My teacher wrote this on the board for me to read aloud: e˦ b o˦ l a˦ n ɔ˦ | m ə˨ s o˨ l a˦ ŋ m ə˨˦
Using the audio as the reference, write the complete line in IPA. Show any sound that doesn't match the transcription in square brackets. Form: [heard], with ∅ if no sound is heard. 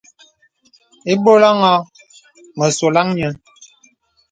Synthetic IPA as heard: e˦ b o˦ l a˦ [ŋ] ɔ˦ | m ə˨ s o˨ l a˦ ŋ [ɲ] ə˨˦